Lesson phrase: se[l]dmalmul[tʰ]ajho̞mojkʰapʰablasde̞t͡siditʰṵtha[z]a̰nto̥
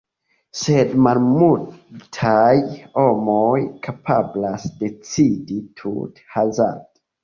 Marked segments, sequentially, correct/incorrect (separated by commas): incorrect, correct, correct